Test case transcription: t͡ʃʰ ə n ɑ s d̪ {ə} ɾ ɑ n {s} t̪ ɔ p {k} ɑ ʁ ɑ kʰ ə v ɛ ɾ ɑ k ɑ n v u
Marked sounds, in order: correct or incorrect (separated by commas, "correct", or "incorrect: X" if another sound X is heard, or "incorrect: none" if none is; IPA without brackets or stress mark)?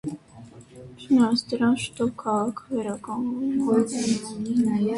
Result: correct, incorrect: ʃ, incorrect: kʰ